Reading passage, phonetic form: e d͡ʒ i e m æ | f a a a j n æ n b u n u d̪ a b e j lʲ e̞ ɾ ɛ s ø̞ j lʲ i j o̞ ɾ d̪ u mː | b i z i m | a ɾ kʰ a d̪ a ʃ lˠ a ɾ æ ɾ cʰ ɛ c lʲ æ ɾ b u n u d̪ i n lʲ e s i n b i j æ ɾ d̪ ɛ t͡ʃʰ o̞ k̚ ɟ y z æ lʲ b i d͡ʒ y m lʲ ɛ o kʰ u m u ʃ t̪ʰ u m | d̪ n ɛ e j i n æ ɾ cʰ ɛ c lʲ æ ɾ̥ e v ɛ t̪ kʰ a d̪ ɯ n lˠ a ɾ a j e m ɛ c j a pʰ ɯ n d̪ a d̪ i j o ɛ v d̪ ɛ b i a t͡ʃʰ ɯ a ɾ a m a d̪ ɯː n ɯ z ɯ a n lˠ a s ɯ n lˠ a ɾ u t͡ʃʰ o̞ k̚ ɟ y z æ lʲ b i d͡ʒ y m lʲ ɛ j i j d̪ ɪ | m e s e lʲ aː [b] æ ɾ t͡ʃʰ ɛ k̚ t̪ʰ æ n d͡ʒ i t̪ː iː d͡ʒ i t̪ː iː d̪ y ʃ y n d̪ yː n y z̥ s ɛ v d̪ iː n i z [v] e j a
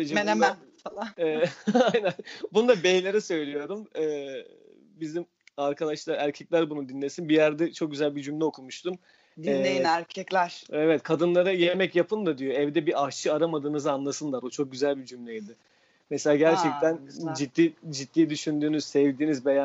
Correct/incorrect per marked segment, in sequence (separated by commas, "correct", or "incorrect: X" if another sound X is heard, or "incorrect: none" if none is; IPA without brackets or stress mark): incorrect: ɟ, incorrect: b